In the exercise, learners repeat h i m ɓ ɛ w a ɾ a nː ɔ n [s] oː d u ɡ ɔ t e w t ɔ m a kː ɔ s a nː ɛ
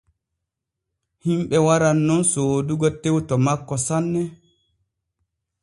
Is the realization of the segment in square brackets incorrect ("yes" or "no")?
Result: no